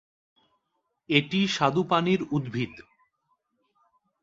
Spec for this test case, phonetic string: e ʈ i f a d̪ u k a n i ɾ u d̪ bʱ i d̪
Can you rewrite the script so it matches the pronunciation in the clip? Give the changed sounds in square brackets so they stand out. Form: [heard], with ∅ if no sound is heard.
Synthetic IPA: e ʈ i [ʃ] a d̪ u [p] a n i ɾ u d̪ bʱ i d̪